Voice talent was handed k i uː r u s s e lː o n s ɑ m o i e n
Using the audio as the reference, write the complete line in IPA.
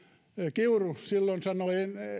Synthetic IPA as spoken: k i u r u s s i lː o n s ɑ n o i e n